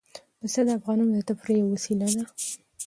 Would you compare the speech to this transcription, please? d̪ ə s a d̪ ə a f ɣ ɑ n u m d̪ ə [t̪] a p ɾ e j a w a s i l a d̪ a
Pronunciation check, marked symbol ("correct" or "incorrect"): correct